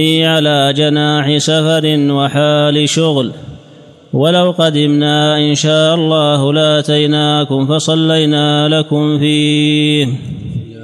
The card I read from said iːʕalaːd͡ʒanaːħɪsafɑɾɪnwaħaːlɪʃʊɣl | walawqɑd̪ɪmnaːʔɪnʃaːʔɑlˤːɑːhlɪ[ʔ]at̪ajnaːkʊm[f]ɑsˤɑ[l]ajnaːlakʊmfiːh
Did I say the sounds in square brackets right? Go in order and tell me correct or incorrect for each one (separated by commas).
correct, correct, incorrect